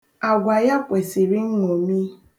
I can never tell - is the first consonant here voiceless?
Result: no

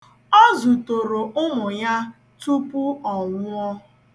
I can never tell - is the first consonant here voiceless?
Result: no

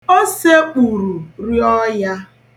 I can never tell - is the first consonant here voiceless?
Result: yes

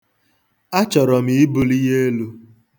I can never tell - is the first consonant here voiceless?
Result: yes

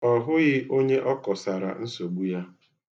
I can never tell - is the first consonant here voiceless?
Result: no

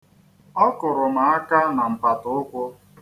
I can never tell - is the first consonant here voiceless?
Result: yes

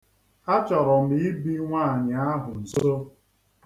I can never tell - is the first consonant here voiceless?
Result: yes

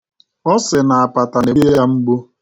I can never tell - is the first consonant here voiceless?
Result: yes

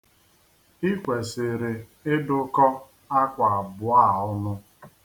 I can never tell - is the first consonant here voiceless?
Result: yes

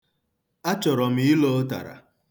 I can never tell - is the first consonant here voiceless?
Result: yes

